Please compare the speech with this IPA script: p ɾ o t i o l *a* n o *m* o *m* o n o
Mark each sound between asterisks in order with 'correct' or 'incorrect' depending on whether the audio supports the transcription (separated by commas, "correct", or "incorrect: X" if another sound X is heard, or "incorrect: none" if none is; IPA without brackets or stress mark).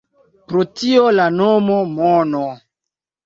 correct, correct, correct